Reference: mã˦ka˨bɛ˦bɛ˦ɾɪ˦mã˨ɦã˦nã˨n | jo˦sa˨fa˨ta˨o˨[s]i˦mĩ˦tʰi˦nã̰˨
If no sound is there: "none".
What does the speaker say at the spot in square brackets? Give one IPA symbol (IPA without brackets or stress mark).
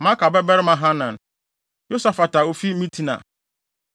f